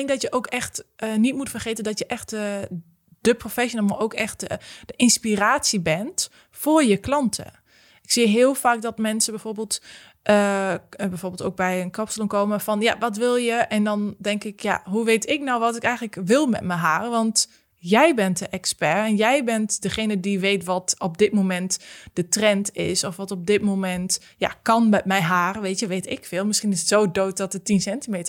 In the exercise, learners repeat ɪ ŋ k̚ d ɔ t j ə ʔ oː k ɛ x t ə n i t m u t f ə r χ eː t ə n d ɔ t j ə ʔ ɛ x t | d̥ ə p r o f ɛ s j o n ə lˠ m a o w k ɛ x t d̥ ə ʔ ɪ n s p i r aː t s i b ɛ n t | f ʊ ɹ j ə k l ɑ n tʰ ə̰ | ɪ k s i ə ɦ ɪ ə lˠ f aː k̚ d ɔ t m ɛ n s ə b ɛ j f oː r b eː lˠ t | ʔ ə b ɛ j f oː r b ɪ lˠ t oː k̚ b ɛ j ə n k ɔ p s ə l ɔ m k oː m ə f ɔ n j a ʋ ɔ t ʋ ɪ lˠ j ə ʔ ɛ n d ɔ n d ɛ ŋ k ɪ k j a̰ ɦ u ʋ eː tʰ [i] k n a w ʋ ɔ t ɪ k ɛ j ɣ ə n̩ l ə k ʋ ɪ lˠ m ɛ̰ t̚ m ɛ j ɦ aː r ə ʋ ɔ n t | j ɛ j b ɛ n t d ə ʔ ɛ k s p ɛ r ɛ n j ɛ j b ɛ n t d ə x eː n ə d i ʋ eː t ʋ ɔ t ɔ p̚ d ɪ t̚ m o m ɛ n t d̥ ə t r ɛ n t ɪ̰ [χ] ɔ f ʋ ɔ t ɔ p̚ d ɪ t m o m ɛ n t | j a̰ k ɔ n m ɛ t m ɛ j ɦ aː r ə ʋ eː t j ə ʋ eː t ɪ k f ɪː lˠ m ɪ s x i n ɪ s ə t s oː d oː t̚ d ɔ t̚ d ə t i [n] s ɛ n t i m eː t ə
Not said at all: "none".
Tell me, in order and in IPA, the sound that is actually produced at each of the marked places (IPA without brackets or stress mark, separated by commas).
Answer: ɪ, s, n